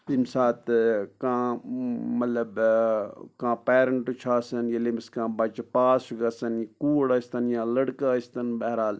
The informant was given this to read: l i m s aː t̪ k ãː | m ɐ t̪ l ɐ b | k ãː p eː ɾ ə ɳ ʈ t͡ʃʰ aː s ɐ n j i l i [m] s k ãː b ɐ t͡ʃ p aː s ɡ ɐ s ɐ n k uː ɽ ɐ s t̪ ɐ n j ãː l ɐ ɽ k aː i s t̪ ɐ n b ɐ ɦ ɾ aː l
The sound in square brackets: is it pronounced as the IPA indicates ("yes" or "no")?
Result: yes